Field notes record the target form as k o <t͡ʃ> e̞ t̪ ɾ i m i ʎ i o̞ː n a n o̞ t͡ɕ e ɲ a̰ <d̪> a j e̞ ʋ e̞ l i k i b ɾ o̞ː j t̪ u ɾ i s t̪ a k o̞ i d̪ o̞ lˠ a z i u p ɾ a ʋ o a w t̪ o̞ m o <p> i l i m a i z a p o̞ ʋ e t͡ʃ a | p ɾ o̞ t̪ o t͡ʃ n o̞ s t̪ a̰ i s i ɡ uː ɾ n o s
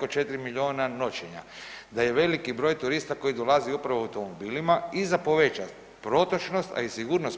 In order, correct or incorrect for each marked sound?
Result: correct, correct, incorrect: b

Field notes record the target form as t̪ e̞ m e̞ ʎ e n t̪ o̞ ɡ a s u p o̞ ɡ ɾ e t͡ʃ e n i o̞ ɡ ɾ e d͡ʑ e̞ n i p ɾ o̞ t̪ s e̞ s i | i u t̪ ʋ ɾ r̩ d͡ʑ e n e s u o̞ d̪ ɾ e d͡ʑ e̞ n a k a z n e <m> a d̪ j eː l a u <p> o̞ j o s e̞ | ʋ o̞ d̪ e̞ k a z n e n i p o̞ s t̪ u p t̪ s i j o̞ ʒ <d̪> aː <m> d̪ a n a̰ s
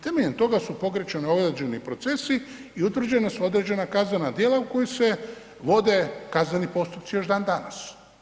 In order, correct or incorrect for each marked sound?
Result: incorrect: n, incorrect: k, correct, incorrect: n

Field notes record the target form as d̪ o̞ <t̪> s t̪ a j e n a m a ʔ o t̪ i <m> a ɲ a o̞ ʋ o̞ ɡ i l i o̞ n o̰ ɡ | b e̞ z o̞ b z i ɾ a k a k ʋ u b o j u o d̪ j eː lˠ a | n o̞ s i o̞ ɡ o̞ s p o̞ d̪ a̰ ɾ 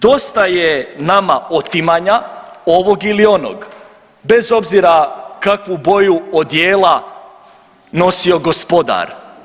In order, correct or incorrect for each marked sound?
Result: incorrect: none, correct

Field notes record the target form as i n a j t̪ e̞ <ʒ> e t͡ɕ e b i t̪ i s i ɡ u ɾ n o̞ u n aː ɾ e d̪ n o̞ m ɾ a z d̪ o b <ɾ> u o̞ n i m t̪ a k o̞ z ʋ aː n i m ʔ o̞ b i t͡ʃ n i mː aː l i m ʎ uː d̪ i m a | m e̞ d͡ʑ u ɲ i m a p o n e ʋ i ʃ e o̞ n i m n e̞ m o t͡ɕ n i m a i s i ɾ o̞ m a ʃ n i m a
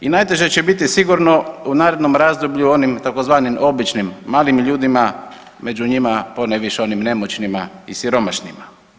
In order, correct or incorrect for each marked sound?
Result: correct, incorrect: ʎ

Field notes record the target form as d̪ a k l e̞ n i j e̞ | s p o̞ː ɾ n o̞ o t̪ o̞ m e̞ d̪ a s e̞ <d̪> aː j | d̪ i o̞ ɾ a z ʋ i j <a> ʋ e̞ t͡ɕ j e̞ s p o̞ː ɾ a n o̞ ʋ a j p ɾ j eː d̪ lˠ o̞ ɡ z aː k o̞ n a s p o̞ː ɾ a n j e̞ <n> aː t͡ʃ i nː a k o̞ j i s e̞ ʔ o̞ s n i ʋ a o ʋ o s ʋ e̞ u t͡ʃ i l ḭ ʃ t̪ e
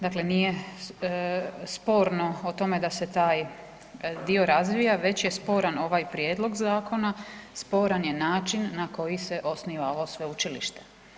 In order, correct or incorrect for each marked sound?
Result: incorrect: t̪, correct, correct

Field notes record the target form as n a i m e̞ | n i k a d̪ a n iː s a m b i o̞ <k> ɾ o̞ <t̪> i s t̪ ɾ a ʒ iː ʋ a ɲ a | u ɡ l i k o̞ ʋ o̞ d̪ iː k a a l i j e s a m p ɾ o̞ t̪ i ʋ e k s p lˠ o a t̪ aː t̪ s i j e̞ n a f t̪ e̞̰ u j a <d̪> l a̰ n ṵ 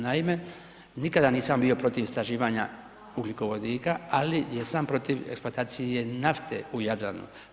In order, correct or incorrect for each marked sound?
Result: incorrect: p, correct, correct

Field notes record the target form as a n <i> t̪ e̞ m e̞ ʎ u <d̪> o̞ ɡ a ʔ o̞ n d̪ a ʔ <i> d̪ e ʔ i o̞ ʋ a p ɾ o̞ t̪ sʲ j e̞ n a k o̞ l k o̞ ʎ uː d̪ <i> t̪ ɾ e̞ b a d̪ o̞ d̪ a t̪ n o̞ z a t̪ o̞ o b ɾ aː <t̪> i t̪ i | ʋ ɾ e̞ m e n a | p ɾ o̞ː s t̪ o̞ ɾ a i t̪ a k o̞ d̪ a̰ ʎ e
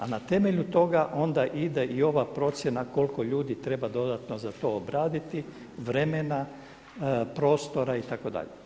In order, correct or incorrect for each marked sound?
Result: incorrect: a, incorrect: t̪, correct, correct, incorrect: d̪

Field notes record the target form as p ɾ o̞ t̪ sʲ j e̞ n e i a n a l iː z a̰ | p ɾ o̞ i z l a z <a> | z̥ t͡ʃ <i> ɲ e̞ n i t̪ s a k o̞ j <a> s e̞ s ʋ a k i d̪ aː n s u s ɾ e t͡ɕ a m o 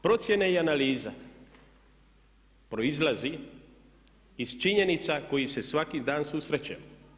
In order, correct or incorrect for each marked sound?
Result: incorrect: i, correct, incorrect: i

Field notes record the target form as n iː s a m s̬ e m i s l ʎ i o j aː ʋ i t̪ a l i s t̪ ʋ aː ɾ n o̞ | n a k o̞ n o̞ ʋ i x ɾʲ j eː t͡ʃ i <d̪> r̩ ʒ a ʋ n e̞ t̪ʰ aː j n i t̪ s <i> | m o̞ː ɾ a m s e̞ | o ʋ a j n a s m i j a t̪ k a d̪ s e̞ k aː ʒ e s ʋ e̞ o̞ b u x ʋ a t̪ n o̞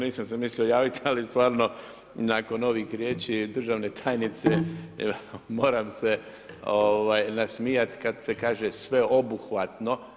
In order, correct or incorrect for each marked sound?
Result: correct, incorrect: e

